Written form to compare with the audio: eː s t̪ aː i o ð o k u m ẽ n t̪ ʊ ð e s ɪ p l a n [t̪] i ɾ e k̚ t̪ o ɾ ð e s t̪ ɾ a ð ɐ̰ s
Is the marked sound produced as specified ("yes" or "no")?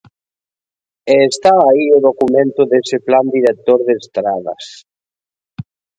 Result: no